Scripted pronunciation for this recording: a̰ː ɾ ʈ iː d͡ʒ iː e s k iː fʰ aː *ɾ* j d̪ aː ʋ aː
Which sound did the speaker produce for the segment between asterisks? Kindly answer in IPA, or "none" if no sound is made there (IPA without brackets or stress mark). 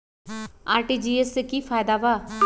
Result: none